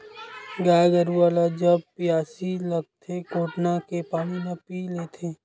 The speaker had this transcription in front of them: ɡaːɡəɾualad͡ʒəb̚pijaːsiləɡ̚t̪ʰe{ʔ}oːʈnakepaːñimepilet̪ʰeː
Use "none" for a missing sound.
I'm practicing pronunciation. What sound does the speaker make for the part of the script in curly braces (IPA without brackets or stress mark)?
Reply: k